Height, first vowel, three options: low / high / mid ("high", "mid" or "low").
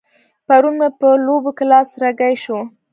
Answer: low